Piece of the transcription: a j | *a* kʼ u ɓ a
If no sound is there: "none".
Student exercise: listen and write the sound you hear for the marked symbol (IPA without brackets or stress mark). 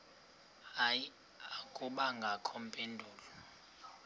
a